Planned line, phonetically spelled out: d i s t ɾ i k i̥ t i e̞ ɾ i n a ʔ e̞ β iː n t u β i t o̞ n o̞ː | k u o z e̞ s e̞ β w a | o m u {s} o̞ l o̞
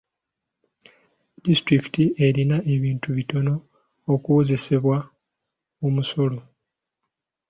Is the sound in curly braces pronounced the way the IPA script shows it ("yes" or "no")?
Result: yes